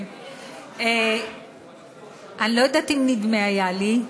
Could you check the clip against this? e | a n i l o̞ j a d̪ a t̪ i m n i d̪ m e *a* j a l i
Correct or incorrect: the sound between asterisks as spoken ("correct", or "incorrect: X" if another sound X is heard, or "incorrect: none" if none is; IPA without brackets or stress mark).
correct